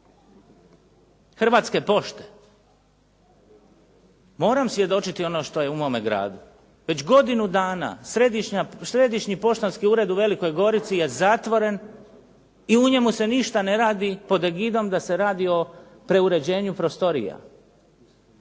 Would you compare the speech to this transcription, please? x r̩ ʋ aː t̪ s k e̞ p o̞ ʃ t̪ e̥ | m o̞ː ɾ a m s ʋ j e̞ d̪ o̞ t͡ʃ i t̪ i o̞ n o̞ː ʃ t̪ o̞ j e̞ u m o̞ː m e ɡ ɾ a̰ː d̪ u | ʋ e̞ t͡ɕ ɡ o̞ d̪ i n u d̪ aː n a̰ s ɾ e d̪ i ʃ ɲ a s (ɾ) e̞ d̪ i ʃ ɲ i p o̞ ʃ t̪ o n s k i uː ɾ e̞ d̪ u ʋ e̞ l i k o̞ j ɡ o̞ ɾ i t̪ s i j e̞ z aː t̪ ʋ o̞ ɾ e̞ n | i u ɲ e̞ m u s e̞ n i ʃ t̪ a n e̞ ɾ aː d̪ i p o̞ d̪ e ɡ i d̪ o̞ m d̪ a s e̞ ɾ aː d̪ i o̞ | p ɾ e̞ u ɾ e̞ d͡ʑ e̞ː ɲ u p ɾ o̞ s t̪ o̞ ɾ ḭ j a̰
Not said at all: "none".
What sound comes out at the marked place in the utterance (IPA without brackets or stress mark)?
ɾ